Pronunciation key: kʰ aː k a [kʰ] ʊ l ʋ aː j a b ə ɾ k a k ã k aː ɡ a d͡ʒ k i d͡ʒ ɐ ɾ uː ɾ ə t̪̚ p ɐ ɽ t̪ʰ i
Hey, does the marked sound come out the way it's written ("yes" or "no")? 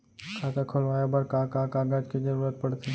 yes